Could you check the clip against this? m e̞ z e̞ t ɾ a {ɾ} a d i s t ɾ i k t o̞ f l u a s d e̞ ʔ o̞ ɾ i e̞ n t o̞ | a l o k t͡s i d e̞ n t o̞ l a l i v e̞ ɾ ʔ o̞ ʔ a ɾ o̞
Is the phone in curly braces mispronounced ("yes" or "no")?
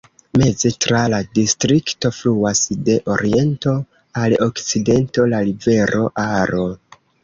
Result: yes